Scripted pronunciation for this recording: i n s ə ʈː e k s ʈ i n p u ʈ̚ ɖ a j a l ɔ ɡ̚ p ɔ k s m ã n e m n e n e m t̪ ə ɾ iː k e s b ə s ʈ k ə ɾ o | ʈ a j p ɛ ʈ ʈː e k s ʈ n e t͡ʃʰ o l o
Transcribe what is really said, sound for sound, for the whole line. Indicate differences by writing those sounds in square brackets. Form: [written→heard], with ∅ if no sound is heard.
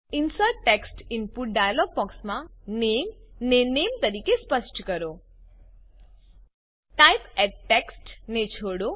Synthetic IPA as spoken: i n s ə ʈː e k s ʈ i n p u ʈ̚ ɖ a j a l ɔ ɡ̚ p ɔ k s m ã n e m n e n e m t̪ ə ɾ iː k e s [b→p] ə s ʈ k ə ɾ o | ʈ a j p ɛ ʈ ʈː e k s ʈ n e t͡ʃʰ o [l→ɽ] o